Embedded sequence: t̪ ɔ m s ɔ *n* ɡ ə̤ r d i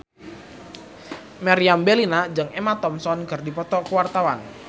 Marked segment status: correct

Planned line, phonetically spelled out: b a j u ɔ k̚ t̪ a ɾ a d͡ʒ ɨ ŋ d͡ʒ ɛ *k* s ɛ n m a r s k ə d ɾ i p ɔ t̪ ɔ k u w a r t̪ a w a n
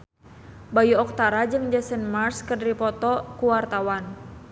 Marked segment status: incorrect: none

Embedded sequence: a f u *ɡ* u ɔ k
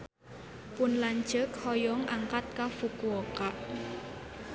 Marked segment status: incorrect: k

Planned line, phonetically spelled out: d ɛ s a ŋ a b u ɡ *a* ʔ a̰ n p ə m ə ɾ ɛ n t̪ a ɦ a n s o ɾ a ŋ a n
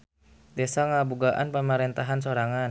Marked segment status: correct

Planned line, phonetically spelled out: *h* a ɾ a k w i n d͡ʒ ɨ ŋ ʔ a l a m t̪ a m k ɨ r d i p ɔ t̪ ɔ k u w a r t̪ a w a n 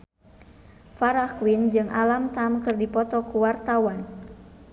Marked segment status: incorrect: f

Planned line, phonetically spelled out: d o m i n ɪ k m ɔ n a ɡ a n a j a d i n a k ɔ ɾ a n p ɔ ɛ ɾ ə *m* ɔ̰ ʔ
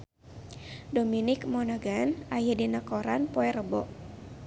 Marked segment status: incorrect: b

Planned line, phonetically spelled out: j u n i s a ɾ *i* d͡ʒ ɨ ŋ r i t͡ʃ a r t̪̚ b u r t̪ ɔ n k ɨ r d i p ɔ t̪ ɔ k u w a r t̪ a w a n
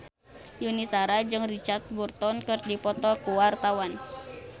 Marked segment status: incorrect: a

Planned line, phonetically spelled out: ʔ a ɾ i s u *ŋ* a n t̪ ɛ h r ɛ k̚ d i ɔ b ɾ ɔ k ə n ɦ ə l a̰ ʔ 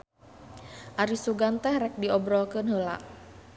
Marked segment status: incorrect: ɡ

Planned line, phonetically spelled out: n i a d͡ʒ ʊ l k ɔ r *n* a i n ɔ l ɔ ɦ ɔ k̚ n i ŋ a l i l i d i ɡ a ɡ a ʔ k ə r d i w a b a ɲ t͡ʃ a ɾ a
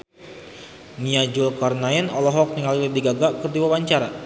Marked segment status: correct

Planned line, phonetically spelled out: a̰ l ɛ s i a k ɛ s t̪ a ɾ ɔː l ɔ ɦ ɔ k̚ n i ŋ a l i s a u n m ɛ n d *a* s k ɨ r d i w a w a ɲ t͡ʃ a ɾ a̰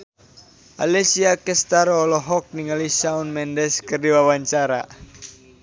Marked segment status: incorrect: ɛ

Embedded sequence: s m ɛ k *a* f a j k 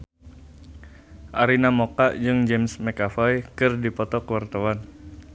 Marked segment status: correct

